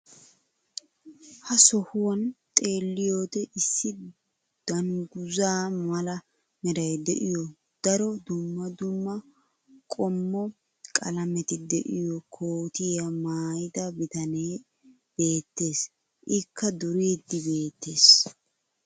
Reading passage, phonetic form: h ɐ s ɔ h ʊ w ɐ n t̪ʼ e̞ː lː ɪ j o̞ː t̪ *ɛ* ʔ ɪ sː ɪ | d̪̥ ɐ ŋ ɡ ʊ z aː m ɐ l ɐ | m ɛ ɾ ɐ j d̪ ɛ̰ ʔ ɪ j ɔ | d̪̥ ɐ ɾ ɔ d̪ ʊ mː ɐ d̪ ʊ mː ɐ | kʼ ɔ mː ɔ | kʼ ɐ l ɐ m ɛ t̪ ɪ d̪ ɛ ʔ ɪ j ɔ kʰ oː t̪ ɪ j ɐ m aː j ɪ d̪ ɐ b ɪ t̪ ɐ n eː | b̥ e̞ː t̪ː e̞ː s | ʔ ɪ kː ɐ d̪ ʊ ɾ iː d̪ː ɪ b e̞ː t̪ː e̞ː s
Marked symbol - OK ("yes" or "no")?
yes